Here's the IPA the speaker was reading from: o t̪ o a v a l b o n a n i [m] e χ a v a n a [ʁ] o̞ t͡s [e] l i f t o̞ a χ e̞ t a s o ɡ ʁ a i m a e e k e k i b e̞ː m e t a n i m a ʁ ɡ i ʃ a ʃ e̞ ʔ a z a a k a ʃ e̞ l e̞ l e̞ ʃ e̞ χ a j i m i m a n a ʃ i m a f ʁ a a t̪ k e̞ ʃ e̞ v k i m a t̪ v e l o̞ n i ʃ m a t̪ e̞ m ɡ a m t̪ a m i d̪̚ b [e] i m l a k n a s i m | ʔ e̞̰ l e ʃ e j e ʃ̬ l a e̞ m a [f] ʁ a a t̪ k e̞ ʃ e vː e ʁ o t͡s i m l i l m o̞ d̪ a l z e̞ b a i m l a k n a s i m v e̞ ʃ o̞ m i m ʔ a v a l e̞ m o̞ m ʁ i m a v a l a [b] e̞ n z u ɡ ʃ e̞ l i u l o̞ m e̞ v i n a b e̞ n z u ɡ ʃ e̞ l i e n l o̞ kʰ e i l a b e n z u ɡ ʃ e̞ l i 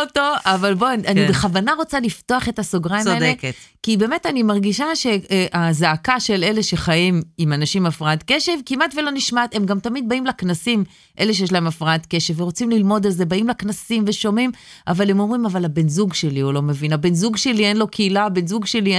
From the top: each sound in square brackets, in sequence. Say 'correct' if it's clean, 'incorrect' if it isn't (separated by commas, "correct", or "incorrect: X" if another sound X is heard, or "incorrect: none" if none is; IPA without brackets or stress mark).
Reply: incorrect: b, correct, incorrect: a, incorrect: a, correct, correct